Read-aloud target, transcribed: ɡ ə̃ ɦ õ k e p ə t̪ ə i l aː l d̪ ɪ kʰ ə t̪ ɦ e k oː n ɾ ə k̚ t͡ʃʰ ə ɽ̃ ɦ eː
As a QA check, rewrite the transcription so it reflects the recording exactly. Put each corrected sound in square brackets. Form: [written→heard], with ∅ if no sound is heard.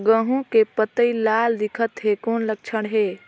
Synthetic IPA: ɡ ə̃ ɦ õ k e p ə t̪ ə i l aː l d̪ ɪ kʰ ə t̪ ɦ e k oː n [ɾ→l] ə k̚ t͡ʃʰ ə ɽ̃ ɦ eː